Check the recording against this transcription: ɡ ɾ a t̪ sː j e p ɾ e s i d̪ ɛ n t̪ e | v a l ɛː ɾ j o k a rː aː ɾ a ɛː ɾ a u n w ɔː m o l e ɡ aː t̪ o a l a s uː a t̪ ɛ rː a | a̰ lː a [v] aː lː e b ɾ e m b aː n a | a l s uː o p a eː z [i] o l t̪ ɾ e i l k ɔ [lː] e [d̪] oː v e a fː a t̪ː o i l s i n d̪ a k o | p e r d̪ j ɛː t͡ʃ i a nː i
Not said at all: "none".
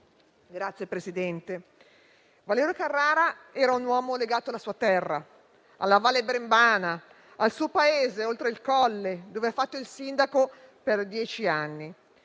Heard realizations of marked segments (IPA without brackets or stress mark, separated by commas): v, e, lː, d̪